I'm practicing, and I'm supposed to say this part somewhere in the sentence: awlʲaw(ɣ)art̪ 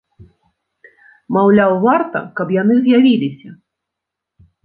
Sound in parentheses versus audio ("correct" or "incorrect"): incorrect